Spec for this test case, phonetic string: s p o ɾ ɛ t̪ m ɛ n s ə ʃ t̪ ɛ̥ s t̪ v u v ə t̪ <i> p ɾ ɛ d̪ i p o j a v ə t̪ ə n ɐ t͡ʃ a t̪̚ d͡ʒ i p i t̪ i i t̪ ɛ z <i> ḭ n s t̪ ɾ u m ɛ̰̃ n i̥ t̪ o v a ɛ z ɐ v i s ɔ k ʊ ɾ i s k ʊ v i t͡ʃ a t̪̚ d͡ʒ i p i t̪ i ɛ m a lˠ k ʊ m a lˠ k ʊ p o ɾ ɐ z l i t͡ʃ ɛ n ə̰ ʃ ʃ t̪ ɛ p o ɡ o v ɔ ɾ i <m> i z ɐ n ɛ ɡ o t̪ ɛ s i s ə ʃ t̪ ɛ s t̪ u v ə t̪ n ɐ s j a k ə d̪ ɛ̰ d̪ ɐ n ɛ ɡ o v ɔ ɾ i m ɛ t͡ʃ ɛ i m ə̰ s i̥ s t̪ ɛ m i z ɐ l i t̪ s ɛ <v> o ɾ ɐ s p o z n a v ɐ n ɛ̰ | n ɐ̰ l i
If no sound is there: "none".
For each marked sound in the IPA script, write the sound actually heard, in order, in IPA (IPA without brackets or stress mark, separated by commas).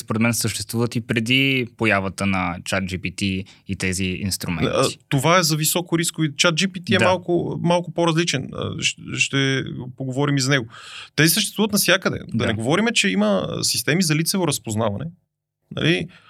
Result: i, i, m, v